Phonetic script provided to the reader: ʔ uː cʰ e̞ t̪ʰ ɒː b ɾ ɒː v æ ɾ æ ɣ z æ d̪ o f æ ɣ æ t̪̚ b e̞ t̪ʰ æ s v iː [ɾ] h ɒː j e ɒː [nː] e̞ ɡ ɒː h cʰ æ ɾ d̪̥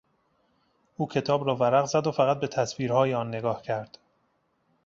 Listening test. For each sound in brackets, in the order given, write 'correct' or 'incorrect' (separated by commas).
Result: correct, correct